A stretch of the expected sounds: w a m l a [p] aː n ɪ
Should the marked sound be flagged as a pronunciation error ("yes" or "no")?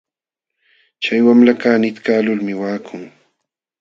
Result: yes